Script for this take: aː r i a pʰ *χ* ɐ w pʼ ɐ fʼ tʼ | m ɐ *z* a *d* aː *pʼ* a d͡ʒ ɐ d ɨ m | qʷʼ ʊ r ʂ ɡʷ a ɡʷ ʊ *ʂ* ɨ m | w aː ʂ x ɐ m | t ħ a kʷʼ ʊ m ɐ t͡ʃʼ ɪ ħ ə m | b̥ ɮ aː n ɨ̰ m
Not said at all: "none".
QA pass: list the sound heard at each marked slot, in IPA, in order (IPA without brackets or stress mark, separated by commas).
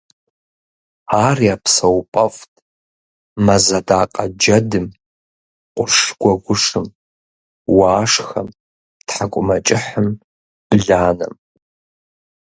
s, z, d, qʼ, ʂ